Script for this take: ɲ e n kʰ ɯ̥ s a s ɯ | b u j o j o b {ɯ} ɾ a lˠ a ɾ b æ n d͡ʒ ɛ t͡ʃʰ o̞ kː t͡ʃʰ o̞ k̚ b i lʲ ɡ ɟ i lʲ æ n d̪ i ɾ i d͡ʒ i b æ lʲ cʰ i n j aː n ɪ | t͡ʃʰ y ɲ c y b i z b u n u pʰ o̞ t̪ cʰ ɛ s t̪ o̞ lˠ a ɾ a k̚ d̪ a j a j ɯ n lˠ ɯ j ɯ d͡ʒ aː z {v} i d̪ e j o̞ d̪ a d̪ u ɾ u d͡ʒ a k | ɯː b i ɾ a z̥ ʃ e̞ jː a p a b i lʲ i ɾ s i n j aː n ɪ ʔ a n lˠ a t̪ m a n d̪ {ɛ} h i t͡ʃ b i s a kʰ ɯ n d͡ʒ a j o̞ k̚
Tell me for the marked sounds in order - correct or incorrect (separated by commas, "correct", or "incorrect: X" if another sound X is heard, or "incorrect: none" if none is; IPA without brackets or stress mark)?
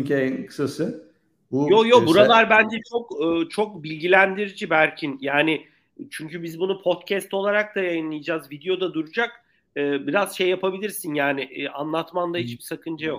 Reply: incorrect: u, correct, incorrect: a